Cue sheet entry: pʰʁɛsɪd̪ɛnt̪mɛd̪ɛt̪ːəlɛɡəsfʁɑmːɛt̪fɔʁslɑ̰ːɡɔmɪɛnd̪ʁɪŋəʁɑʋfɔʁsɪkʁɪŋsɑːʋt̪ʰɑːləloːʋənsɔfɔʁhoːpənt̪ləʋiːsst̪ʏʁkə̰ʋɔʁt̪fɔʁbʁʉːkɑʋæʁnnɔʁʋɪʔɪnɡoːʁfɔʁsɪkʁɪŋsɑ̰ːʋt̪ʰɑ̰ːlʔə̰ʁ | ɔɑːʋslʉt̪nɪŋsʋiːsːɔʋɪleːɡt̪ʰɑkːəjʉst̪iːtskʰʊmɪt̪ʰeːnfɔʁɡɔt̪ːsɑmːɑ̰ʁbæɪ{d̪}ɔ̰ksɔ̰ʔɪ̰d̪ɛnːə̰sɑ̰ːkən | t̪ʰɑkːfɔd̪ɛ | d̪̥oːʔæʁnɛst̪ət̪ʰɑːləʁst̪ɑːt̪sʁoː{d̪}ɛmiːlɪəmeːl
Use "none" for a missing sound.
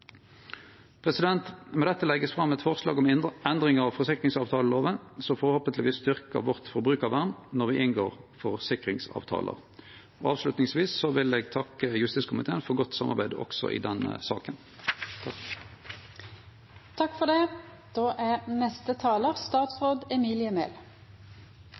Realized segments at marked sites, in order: d̪, d̪

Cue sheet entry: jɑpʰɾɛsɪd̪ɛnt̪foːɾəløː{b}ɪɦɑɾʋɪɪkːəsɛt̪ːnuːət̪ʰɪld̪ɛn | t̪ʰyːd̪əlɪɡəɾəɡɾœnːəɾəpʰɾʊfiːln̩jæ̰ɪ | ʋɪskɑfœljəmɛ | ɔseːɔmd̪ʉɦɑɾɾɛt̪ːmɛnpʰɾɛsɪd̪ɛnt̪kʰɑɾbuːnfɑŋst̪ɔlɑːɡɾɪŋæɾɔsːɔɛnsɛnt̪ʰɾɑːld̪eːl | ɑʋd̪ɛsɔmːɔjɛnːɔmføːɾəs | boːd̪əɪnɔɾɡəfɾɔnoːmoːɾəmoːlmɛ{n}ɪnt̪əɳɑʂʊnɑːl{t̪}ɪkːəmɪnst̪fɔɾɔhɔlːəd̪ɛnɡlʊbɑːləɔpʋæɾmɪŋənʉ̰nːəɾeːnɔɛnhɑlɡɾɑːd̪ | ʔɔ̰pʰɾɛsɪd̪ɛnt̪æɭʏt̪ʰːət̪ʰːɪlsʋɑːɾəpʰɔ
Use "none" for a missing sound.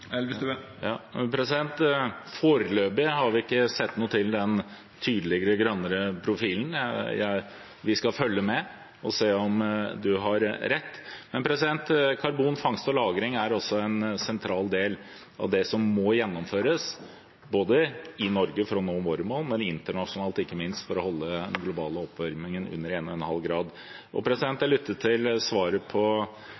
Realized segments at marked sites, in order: b, n, t̪

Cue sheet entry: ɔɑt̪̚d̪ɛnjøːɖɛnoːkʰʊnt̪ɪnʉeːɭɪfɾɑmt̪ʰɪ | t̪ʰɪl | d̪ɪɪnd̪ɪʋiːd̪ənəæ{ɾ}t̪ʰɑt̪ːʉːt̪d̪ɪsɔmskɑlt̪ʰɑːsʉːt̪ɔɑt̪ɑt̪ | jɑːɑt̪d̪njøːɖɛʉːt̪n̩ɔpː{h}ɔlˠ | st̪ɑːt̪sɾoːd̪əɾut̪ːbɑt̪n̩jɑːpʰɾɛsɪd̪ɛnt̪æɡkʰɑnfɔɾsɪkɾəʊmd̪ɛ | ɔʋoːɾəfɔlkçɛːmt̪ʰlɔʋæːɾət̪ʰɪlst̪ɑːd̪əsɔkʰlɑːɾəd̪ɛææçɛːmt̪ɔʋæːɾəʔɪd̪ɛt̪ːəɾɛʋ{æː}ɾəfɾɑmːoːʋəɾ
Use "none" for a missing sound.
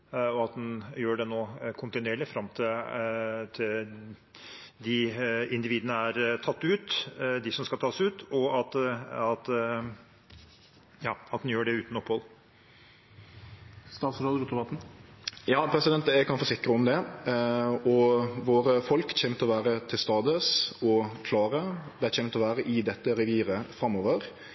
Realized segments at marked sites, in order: ɾ, h, iː

